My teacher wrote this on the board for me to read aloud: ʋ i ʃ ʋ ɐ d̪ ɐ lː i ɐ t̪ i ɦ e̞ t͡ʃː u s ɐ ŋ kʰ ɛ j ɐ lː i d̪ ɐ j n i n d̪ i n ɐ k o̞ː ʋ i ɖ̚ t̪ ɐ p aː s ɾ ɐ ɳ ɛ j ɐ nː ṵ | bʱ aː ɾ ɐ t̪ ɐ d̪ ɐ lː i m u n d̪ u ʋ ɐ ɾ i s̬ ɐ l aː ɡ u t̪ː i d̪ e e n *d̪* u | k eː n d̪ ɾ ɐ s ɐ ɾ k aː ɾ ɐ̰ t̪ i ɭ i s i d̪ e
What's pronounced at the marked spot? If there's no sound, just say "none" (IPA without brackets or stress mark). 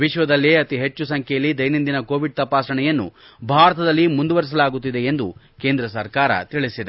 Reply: d̪